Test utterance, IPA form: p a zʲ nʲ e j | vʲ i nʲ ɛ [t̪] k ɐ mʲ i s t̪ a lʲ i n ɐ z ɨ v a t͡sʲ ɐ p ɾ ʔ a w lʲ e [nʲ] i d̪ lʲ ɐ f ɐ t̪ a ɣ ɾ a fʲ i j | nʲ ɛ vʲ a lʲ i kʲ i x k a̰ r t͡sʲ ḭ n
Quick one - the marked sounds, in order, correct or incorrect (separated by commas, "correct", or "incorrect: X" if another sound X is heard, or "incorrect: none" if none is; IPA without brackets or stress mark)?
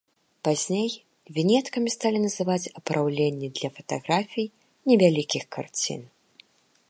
correct, incorrect: nʲː